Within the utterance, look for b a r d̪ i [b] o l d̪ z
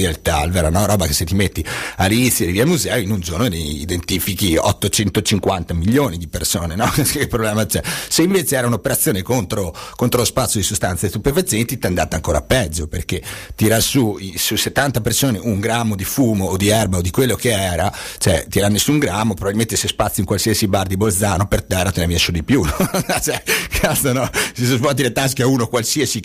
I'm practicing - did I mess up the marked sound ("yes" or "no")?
no